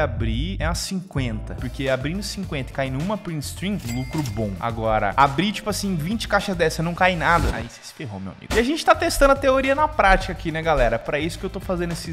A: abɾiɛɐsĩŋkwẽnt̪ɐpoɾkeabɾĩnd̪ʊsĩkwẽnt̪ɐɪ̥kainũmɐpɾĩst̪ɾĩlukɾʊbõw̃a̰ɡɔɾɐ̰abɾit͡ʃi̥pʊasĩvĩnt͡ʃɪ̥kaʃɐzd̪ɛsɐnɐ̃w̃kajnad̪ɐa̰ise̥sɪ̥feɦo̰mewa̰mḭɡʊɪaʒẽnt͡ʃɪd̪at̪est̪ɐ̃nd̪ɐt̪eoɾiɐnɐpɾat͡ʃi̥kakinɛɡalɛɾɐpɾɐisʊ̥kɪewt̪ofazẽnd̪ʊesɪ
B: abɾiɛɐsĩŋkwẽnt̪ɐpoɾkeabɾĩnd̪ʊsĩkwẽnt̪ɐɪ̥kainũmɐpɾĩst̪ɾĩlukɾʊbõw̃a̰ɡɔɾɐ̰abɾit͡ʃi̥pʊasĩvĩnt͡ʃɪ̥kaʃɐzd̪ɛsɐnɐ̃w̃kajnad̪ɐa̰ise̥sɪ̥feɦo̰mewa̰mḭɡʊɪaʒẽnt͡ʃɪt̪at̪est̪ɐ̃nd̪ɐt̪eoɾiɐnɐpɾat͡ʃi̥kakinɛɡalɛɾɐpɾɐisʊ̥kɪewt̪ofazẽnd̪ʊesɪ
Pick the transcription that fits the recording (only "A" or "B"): B